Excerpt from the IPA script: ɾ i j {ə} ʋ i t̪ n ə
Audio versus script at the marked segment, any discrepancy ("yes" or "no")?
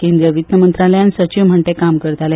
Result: no